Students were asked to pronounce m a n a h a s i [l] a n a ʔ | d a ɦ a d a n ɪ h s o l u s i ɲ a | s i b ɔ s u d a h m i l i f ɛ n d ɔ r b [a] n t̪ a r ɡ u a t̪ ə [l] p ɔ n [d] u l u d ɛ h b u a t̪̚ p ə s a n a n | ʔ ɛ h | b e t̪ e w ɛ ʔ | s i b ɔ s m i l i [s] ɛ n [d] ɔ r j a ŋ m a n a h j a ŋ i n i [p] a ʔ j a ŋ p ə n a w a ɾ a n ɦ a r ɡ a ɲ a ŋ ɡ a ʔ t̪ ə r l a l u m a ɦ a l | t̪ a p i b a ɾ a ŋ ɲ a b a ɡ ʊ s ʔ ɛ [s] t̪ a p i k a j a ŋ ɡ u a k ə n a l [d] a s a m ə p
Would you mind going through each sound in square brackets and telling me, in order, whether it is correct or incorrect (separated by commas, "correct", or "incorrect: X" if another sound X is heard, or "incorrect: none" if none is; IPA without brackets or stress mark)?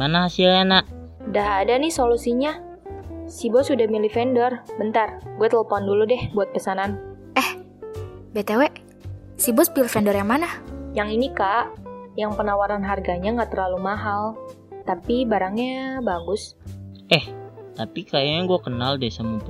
correct, incorrect: ə, correct, correct, incorrect: f, correct, incorrect: k, incorrect: h, correct